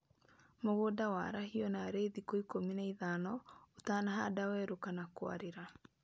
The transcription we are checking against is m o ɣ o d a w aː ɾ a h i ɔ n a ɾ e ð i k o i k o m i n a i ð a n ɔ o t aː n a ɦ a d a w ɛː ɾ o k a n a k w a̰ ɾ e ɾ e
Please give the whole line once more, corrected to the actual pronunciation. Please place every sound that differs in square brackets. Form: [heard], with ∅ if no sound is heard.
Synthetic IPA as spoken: m o ɣ o d a w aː ɾ a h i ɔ n a ɾ e ð i k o i k o m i n a i ð a n ɔ o t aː n a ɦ a d a w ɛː ɾ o k a n a k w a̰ ɾ e ɾ [a]